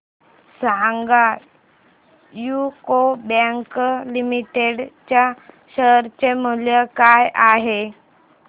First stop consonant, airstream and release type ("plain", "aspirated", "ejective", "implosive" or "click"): plain